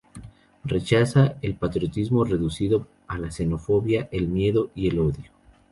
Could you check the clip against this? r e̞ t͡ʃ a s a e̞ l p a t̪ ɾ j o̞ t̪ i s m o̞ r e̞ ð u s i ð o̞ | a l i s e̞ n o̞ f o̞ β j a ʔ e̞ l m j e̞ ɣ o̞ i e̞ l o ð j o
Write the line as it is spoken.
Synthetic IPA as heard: r e̞ t͡ʃ a s a e̞ l p a t̪ ɾ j o̞ t̪ i z m o̞ r e̞ ð u s i ð o̞ | a l a s e̞ n o̞ f o̞ β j a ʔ e̞ l m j e̞ ð o̞ i e̞ l o ð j o